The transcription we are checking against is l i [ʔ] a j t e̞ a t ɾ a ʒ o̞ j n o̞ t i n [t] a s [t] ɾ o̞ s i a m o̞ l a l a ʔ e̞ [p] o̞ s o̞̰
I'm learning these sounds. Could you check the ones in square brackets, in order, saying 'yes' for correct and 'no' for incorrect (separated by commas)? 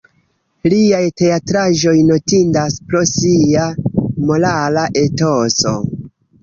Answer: no, no, no, no